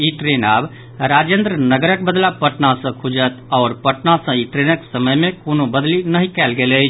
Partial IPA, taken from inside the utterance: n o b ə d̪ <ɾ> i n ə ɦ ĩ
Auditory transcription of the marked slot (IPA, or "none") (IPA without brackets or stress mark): l